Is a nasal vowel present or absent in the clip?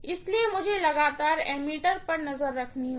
absent